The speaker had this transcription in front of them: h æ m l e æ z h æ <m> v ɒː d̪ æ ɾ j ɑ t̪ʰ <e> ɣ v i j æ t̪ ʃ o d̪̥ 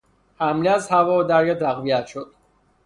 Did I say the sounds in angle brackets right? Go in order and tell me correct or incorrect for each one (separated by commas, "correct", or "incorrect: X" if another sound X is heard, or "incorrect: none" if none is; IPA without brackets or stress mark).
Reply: incorrect: none, incorrect: æ